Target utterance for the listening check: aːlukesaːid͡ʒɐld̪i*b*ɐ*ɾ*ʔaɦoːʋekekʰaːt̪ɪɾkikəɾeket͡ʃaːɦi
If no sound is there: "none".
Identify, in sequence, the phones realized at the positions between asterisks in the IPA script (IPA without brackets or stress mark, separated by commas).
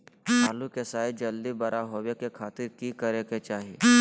b, ɾ